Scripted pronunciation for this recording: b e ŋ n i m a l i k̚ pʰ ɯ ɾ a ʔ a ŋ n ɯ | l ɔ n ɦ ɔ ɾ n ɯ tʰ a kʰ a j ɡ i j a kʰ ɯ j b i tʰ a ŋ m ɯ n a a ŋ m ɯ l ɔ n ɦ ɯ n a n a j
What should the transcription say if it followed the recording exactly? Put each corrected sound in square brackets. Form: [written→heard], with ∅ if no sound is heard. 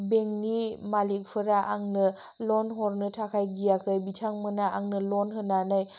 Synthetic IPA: b e ŋ n i m a l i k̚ pʰ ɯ ɾ a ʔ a ŋ n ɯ | l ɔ n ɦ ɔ ɾ n ɯ tʰ a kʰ a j ɡ i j a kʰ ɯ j b i tʰ a ŋ m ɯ n a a ŋ [m→n] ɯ l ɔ n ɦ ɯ n a n a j